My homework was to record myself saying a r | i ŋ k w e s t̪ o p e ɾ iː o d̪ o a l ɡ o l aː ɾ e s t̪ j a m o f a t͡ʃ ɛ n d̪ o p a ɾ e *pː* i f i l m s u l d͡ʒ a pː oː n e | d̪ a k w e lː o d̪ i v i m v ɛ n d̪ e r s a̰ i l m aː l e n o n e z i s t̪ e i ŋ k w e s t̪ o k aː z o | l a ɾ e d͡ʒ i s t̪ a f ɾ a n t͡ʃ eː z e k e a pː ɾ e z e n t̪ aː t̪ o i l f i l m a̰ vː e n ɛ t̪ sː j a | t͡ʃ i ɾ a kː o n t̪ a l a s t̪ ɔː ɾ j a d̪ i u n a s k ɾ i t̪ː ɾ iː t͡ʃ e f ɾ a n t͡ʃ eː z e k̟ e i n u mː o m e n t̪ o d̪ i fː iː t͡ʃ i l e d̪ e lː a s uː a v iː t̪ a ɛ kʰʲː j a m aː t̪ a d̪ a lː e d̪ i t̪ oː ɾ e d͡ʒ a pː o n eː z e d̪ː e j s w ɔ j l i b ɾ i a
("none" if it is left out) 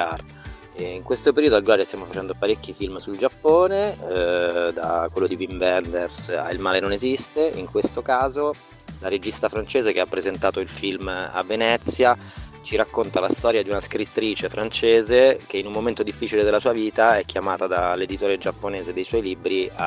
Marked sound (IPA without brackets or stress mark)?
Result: kː